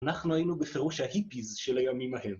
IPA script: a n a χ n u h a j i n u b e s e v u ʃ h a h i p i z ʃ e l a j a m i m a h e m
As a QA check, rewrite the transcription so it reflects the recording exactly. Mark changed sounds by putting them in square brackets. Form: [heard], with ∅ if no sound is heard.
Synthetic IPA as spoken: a n a χ n u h a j i n u b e [f] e [ʁ] u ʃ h a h i p i z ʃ e l a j a m i m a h e m